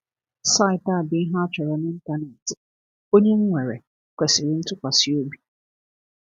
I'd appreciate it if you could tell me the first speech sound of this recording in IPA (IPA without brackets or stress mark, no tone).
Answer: s